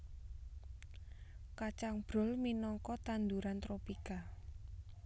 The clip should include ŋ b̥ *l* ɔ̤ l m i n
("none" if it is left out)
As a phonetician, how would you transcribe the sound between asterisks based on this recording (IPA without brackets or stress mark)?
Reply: ɾ